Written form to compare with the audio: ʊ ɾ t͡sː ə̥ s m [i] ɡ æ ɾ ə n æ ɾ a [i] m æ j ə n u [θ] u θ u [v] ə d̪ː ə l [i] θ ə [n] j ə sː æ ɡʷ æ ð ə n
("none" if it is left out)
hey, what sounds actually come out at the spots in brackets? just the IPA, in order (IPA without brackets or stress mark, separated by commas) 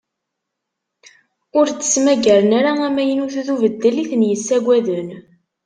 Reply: æ, æ, θ, v, i, n